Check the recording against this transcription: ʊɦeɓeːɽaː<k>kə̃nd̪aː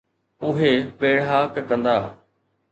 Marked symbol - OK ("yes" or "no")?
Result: yes